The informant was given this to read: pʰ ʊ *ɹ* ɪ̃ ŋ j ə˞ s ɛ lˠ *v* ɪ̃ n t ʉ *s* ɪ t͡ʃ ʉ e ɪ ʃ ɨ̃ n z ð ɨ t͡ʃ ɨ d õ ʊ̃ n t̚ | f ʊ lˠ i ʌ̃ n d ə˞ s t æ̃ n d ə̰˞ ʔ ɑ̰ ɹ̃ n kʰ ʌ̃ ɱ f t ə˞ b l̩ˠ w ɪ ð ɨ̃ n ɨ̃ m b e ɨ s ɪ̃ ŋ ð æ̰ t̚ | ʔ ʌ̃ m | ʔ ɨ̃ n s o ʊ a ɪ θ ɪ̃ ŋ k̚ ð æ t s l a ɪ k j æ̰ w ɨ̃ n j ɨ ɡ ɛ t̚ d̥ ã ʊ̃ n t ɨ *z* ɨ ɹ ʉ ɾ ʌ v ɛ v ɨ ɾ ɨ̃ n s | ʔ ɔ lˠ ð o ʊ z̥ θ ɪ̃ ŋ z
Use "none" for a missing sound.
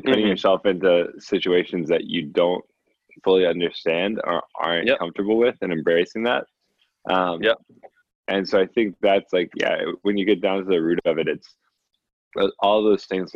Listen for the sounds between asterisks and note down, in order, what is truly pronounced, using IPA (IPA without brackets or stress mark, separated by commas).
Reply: ɾ, f, s, ð